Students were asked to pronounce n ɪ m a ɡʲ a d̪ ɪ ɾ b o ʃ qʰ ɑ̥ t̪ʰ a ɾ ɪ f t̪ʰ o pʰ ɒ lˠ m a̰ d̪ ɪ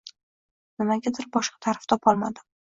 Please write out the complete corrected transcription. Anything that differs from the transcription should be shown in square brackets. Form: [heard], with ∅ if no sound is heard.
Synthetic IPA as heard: n ɪ m a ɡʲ a d̪ ɪ ɾ b [ɒ] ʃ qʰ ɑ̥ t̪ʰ a ɾ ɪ f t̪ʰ [ɒ] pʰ ɒ lˠ m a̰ d̪ ɪ